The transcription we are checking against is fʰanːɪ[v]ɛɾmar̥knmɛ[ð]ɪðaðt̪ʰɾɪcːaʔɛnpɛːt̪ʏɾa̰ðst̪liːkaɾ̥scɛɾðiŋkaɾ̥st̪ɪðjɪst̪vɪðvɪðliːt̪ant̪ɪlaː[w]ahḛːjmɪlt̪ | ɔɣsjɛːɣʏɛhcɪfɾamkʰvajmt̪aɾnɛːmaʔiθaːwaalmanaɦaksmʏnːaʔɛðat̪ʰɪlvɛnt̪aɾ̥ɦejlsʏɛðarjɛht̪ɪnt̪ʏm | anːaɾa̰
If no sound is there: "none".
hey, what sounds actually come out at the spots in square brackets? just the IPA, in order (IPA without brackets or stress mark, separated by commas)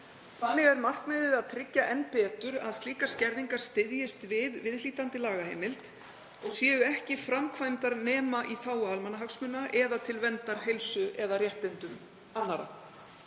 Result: ɣ, ð, ɣ